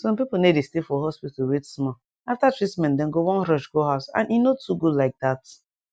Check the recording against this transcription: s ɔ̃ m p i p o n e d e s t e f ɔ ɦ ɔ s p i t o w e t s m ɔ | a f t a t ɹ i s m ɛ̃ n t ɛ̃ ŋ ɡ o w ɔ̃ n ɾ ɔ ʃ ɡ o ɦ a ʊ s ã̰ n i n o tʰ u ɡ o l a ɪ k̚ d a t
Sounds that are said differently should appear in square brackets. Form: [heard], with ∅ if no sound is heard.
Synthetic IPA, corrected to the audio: s ɔ̃ m p i p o n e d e s t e f ɔ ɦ ɔ s p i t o w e t s m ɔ | a f t a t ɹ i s m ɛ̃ n [d] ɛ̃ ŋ ɡ o w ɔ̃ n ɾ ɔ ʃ ɡ o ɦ a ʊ s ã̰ n i n o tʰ u ɡ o l a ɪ k̚ d a t